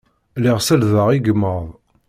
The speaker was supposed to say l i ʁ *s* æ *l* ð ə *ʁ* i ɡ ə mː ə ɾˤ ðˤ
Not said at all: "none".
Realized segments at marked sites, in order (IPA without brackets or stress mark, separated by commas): s, l, ʁ